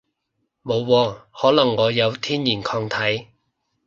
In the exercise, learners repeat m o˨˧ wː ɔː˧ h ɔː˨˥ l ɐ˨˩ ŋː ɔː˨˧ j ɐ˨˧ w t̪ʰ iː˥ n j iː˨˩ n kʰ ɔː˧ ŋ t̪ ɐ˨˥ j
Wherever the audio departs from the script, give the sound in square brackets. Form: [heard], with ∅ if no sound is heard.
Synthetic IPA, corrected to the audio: m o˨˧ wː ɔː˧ h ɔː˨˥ l ɐ˨˩ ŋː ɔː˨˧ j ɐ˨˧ w t̪ʰ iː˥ n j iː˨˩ n kʰ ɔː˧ ŋ [t̪ʰ] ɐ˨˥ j